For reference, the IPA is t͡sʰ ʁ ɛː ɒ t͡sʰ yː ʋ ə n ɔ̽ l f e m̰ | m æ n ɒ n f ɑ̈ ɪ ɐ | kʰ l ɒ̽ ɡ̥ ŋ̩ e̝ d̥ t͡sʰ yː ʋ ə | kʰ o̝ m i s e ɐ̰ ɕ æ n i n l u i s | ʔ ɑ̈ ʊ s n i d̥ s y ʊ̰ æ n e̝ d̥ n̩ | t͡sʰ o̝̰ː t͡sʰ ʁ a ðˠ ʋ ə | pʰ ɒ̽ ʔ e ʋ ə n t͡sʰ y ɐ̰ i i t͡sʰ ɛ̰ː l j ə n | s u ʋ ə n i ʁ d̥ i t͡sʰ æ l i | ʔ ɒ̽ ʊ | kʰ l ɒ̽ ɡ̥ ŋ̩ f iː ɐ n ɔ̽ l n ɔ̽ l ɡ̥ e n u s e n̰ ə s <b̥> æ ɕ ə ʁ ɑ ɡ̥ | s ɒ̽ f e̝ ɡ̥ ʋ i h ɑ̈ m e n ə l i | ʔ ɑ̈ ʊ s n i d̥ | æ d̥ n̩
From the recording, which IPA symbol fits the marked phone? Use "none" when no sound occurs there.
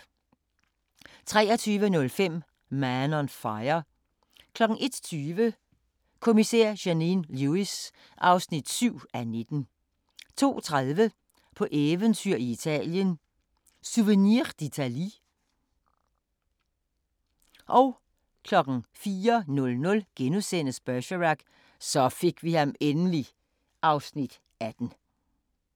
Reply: b̥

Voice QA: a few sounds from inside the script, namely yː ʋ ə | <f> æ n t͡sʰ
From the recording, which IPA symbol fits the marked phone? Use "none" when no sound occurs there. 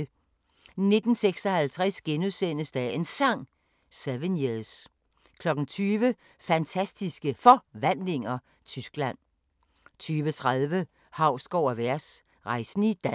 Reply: f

